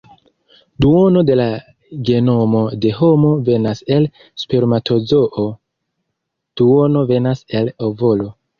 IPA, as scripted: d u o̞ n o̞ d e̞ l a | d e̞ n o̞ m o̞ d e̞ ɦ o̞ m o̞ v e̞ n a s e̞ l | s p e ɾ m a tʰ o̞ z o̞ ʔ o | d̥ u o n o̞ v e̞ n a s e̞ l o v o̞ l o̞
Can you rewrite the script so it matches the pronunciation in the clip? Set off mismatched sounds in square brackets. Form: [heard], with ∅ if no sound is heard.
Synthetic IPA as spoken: d u o̞ n o̞ d e̞ l a | [ɡ] e̞ n o̞ m o̞ d e̞ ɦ o̞ m o̞ v e̞ n a s e̞ l | s p e ɾ m a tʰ o̞ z o̞ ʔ o | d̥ u o n o̞ v e̞ n a s e̞ l o v o̞ l o̞